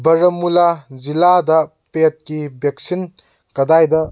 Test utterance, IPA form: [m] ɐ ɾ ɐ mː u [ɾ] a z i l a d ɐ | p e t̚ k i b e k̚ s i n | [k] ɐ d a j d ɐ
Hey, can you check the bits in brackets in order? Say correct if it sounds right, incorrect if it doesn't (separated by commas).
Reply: incorrect, incorrect, correct